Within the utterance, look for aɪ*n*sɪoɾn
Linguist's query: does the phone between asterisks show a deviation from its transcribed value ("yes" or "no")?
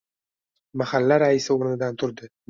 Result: yes